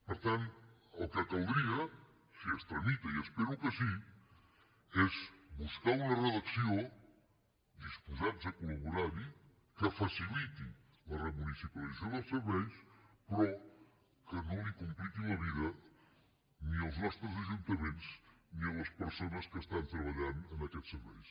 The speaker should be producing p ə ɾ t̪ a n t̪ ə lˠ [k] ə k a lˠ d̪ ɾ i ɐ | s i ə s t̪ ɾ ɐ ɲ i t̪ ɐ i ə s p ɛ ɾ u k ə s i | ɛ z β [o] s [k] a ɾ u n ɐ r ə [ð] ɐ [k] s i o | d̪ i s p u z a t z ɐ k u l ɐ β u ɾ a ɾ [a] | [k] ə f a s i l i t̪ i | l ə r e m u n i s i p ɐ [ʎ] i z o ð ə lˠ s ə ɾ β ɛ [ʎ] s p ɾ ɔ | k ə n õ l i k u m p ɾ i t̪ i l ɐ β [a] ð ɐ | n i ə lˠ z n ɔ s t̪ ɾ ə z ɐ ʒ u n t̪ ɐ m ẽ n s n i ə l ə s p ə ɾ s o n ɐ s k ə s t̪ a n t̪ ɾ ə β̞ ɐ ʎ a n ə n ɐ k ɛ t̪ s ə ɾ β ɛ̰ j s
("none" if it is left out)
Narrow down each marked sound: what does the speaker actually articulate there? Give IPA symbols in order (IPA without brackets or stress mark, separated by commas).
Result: k, u, k, ð, k, i, k, l, j, i